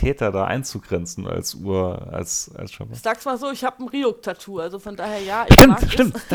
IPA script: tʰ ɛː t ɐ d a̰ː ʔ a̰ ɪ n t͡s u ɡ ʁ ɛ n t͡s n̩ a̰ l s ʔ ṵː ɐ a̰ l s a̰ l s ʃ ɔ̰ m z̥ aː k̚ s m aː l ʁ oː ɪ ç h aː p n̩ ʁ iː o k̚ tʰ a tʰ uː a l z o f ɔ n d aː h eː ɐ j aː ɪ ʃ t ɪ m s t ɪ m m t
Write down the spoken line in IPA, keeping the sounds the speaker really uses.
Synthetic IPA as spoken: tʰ ɛː t ɐ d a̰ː ʔ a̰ ɪ n t͡s u ɡ ʁ ɛ n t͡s n̩ a̰ l s ʔ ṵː ɐ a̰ l s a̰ l s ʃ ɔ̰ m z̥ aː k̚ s m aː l z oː ɪ ç h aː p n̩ ʁ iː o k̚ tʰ a tʰ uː a l z o f ɔ n d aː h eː ɐ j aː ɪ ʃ t ɪ m ʃ t ɪ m m t